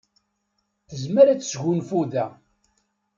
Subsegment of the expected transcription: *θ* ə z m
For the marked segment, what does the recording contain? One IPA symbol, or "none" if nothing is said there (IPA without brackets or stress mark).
θ